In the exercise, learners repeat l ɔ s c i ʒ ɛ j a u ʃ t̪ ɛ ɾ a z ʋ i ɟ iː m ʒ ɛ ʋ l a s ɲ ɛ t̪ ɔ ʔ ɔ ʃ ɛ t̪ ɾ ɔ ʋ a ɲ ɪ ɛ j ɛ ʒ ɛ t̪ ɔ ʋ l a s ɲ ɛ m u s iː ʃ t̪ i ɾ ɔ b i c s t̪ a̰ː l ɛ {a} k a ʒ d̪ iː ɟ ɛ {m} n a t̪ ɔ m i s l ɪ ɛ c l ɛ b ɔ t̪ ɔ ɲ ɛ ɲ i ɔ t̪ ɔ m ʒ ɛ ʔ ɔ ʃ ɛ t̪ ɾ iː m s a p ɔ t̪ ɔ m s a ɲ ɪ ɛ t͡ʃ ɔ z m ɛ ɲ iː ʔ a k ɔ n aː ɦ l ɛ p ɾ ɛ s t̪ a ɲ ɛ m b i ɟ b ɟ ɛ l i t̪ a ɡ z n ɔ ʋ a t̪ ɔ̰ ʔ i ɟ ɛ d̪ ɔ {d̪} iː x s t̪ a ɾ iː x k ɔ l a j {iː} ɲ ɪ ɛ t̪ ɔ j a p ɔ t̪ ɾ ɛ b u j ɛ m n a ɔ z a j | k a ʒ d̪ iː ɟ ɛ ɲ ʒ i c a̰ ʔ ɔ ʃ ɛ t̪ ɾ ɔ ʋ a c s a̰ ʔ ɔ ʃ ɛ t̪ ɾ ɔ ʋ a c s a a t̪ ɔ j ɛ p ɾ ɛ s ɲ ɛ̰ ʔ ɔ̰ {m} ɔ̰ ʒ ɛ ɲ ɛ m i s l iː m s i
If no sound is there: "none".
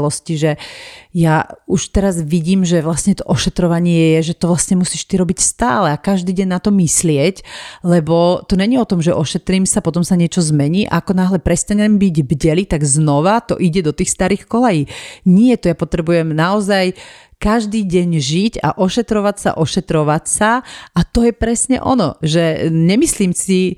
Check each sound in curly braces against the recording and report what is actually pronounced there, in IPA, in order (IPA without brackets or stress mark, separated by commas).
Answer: a, ɲ, t̪, iː, n